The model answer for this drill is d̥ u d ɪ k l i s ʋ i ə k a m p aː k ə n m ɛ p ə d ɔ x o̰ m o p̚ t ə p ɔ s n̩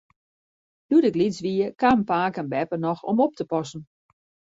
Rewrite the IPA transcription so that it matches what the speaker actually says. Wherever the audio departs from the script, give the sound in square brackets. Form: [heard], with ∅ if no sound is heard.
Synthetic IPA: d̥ u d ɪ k l i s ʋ i ə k a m p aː k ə n [b] ɛ p ə [n] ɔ x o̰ m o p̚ t ə p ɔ s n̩